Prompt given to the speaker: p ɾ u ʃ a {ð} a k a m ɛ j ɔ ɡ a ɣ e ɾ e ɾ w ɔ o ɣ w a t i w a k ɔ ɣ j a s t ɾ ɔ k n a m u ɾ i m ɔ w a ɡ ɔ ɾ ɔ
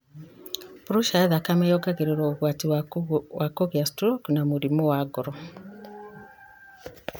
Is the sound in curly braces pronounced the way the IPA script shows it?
yes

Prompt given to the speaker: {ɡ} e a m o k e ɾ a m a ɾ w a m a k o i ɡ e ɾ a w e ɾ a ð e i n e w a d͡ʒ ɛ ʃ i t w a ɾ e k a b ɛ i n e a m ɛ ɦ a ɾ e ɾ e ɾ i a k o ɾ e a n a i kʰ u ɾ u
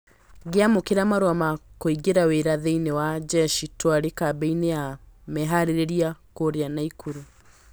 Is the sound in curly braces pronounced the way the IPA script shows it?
yes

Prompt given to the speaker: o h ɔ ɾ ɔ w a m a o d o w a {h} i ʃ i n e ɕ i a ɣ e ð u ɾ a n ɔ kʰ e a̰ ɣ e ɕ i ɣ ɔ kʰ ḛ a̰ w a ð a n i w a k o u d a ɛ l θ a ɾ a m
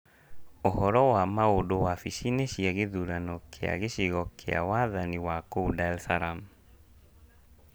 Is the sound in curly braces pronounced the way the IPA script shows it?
no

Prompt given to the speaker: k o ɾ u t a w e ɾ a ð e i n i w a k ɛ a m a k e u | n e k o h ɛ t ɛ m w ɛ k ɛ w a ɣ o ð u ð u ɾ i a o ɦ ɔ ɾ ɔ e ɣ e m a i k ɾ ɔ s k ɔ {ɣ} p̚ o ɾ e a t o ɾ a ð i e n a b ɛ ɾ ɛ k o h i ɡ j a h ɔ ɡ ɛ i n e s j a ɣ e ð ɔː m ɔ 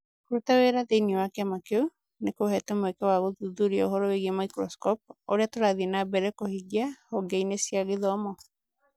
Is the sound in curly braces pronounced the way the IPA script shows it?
no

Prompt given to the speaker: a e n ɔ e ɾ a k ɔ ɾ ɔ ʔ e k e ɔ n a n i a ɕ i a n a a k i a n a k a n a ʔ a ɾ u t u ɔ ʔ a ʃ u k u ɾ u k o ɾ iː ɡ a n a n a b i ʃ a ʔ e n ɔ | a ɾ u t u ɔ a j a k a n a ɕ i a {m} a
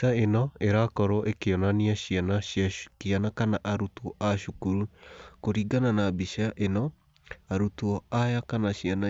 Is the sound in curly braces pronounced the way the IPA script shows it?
no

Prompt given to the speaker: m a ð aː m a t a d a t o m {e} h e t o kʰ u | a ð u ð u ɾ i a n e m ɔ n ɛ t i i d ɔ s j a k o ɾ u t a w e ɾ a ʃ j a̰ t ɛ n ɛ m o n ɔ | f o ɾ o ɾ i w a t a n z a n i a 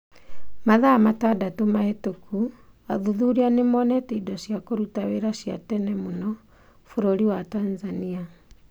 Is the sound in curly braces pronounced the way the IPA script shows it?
no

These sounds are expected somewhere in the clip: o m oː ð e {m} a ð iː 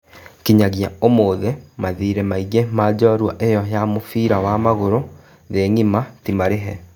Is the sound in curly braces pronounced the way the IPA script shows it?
yes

